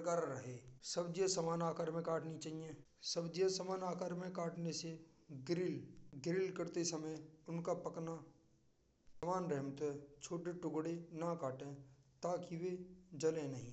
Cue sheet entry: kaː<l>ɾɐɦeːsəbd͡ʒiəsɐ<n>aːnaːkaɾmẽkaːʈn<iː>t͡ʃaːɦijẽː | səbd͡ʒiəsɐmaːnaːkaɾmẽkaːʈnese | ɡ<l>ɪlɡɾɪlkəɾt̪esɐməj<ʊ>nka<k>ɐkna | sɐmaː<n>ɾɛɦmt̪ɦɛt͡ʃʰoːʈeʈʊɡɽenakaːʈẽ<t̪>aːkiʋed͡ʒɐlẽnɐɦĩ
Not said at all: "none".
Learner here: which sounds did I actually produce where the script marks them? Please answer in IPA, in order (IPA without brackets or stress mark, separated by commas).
ɾ, m, i, ɾ, ʊ, p, n, t̪